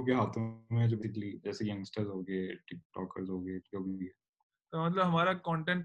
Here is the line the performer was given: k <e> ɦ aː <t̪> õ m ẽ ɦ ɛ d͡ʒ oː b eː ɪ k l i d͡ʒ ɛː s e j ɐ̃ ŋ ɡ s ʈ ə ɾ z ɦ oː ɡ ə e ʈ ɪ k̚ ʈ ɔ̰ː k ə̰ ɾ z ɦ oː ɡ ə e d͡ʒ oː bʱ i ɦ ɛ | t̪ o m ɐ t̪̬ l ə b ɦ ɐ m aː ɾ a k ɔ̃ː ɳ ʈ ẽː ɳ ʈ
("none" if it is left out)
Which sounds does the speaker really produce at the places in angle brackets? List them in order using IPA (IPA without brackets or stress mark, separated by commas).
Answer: e, t̪ʰ